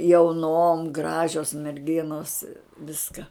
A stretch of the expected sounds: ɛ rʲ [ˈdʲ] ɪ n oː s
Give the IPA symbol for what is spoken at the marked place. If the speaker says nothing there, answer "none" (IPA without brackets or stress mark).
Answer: ɡʲ